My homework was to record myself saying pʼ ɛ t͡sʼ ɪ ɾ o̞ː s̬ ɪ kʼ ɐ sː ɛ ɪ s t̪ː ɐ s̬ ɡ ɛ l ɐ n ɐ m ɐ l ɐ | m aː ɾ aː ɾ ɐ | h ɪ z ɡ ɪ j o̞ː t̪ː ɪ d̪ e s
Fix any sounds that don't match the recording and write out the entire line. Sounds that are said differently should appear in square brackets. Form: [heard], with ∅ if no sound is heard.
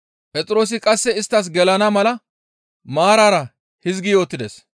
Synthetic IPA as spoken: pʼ ɛ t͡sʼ ɪ ɾ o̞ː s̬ ɪ kʼ ɐ sː ɛ ɪ s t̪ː ɐ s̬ ɡ ɛ l ɐ n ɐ m ɐ l ɐ | m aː ɾ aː ɾ ɐ | h ɪ z ɡ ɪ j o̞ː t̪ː ɪ d̪ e s

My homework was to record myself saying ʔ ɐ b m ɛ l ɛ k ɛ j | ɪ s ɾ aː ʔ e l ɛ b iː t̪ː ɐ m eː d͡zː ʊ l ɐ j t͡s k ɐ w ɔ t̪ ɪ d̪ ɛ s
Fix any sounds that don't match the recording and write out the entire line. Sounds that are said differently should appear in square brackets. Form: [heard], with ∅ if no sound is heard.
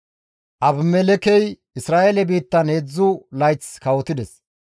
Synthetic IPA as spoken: ʔ ɐ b m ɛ l ɛ k ɛ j | ɪ s ɾ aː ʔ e l ɛ b iː t̪ː ɐ [n] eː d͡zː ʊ l ɐ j t͡s k ɐ w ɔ t̪ ɪ d̪ ɛ s

